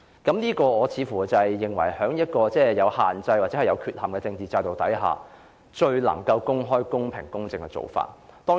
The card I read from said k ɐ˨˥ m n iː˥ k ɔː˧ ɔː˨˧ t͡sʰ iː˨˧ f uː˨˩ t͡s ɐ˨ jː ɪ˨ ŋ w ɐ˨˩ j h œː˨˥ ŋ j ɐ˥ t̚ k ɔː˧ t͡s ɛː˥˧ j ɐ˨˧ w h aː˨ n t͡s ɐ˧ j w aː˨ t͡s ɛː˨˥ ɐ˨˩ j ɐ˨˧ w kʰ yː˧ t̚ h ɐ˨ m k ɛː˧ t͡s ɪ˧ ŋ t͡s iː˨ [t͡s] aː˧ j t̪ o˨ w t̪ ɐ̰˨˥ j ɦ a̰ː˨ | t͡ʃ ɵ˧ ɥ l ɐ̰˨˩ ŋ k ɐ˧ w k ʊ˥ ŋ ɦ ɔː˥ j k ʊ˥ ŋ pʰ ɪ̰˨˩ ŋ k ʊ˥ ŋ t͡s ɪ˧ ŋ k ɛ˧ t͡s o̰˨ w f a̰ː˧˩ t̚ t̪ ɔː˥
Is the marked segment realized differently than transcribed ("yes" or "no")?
no